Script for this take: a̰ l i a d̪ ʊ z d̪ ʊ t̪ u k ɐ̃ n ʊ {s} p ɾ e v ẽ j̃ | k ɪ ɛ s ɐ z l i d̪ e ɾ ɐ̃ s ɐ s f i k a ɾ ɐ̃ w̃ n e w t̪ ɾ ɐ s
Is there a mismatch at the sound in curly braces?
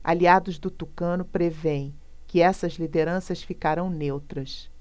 yes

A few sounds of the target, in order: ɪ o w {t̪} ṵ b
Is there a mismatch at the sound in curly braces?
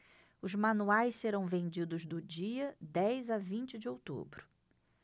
no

